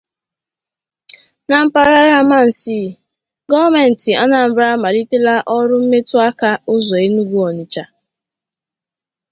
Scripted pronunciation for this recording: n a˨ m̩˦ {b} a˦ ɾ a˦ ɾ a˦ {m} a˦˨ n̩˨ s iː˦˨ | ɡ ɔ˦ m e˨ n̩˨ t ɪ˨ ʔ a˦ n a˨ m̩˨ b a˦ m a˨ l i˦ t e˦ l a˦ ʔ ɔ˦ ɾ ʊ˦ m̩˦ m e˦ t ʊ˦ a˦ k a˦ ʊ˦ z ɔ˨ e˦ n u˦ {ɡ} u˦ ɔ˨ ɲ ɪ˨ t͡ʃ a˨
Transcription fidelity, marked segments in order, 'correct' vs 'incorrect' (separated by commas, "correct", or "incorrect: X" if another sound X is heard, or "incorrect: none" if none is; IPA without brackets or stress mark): incorrect: p, correct, correct